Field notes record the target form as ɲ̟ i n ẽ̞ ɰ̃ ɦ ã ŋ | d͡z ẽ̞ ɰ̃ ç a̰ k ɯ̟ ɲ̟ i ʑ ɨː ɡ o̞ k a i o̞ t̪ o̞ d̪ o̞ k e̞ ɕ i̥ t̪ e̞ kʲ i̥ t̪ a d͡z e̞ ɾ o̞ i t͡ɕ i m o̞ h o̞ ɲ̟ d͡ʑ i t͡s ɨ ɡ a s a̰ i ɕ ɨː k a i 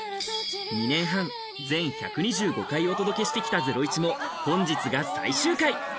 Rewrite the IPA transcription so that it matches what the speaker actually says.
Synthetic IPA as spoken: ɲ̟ i n ẽ̞ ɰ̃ ɦ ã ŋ | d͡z ẽ̞ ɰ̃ ç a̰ k ɯ̟ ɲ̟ i ʑ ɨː ɡ o̞ k a i o̞ t̪ o̞ d̪ o̞ k e̞ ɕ i̥ t̪ e̞ kʲ i̥ t̪ a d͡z e̞ ɾ o̞ i t͡ɕ i m o̞ h õ̞ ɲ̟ d͡ʑ i t͡s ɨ ɡ a s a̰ i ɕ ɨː k a i